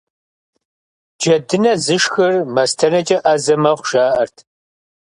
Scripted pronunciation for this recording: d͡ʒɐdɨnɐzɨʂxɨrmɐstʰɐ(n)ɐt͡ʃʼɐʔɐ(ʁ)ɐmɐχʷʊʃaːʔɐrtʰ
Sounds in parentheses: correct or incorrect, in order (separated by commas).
correct, incorrect